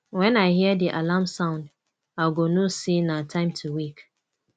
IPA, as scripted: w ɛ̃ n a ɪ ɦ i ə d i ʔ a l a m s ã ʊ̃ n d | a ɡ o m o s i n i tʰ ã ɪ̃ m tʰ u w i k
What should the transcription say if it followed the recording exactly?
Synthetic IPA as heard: w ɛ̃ n a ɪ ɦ i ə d i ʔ a l a m s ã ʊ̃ n d | a ɡ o n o s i n a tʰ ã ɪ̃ m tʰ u w i k